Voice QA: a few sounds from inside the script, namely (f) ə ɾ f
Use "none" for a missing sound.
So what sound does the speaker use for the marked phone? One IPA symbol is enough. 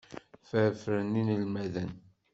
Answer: f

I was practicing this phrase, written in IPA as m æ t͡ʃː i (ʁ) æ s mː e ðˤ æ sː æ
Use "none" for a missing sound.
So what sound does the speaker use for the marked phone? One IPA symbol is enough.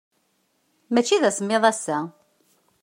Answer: ð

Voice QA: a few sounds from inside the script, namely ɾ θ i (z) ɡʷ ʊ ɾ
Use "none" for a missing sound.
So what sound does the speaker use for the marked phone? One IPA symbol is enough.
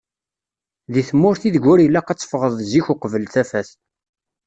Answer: ð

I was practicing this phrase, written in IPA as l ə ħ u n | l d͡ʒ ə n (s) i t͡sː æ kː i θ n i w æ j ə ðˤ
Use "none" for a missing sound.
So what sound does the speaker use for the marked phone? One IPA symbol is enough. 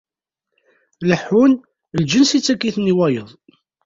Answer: s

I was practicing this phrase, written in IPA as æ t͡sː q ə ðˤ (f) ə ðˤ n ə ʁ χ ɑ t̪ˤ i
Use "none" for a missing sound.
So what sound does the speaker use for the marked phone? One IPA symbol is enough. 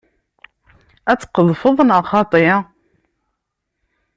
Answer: f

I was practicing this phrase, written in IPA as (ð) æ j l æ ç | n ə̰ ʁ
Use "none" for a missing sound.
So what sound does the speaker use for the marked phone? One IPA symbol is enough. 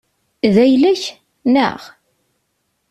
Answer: ð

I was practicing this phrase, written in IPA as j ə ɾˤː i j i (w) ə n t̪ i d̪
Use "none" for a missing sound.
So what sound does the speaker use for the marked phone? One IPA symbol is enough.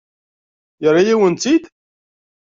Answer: w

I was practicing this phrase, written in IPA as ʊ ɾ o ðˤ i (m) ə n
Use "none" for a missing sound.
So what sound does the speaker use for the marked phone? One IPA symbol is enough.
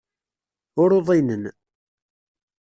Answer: n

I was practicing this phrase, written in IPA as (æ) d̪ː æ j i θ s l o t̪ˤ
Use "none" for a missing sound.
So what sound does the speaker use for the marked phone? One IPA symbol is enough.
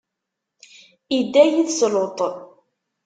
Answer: i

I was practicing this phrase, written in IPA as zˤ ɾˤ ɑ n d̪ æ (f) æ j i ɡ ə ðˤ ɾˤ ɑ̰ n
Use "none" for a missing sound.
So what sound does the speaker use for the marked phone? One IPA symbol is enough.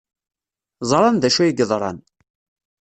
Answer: ʃ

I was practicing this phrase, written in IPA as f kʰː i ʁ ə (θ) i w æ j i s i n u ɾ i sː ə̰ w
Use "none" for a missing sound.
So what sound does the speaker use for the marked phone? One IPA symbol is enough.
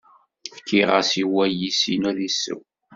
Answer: s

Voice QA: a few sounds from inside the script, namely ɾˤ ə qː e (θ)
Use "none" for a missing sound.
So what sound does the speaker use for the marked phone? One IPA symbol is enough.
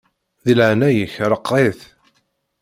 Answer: θ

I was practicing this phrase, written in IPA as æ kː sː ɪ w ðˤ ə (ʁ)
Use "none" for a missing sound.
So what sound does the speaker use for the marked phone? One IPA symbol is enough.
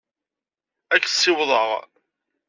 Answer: ʁ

